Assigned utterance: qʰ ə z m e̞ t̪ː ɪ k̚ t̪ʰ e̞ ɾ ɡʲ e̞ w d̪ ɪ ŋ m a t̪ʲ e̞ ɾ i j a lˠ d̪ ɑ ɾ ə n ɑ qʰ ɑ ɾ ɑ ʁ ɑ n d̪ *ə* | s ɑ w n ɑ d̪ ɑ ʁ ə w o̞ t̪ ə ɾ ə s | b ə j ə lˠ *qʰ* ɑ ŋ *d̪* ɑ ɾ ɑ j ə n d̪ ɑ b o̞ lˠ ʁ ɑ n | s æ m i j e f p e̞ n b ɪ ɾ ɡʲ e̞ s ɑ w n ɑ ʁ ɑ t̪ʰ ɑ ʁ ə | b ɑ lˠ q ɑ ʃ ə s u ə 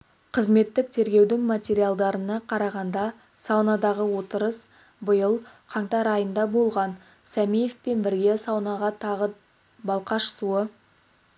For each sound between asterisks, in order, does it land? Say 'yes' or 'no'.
no, yes, no

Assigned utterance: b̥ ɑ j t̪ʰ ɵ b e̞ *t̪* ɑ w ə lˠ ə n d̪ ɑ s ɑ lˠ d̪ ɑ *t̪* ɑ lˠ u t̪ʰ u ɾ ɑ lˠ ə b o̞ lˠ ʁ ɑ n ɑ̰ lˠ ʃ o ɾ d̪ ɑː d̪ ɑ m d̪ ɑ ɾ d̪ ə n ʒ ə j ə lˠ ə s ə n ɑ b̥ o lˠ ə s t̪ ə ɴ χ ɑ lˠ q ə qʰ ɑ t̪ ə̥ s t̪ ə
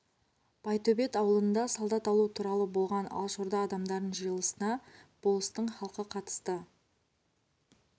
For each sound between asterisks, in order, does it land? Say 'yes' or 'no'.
yes, yes

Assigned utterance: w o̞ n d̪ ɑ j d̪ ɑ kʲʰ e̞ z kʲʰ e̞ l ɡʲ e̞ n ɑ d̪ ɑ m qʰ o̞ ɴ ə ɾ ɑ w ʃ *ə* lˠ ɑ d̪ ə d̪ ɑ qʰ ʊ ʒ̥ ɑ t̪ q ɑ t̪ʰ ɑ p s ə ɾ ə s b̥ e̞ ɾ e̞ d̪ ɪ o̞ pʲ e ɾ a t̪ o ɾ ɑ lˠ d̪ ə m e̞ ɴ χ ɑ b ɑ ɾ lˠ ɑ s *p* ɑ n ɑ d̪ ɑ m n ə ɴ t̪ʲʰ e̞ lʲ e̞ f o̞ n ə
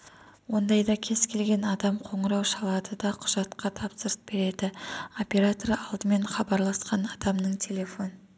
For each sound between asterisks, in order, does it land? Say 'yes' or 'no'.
no, no

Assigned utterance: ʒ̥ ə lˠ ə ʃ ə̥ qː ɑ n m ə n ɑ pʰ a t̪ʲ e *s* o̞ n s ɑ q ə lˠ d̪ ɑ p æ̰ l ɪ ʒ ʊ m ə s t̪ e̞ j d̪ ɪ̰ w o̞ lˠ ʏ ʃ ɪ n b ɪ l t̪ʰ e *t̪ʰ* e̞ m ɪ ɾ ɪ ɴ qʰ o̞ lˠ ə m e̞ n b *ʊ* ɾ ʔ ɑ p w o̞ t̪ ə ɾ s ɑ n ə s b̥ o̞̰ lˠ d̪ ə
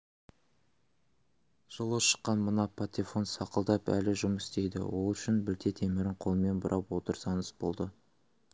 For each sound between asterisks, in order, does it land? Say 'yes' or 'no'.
no, yes, yes

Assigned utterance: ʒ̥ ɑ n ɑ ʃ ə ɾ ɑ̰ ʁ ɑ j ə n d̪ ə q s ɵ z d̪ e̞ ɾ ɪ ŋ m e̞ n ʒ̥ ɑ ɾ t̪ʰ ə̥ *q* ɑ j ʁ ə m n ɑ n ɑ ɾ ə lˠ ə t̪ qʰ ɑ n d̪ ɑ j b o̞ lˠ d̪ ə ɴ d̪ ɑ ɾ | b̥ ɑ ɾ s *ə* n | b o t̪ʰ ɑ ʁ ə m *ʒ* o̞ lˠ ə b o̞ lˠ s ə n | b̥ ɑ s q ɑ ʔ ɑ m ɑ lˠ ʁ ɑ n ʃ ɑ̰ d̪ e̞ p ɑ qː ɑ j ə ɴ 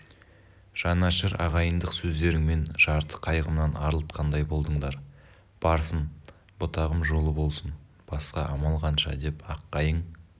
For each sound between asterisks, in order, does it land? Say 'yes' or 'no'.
no, yes, yes

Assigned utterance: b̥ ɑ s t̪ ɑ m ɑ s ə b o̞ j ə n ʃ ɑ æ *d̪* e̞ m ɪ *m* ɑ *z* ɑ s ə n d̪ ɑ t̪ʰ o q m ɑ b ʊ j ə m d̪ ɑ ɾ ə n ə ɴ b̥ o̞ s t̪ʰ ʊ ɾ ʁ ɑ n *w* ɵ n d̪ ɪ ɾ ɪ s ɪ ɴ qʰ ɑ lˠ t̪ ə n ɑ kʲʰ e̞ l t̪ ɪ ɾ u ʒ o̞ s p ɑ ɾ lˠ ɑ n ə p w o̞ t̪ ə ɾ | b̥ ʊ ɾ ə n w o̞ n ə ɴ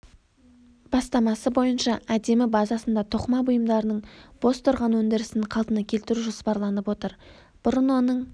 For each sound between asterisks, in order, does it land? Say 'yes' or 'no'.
yes, no, yes, yes

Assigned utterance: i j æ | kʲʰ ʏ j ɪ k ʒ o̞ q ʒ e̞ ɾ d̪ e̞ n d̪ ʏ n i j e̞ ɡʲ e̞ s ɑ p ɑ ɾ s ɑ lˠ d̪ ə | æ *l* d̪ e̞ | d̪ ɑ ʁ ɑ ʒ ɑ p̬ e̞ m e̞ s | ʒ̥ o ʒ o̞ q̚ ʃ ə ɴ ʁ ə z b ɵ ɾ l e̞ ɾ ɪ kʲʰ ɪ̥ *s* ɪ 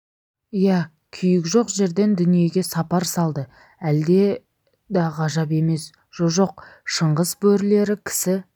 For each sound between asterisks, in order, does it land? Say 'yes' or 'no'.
yes, yes

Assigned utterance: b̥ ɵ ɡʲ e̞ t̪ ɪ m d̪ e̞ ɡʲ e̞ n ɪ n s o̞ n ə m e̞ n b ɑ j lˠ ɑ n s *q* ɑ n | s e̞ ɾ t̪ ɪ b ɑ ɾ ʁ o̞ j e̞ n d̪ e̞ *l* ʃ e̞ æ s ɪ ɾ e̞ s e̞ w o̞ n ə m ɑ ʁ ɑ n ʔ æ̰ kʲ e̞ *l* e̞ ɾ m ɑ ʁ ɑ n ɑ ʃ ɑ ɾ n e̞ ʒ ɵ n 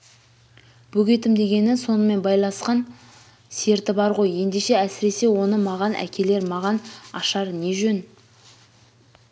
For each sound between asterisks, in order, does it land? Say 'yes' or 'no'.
yes, no, yes

